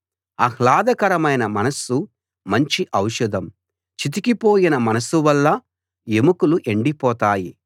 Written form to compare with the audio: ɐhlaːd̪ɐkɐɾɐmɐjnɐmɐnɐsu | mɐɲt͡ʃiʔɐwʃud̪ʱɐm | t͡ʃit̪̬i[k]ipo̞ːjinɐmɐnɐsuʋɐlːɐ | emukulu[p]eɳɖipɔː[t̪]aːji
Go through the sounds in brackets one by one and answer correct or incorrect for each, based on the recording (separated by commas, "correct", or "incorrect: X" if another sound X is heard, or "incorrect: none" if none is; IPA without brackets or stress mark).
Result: correct, incorrect: ʔ, correct